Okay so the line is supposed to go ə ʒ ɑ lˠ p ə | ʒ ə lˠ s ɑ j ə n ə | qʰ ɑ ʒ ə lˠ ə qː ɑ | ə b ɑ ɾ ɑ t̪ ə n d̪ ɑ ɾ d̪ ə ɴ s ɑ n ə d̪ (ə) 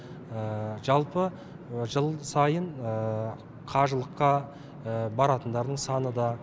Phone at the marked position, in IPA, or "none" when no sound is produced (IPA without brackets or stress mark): ɑ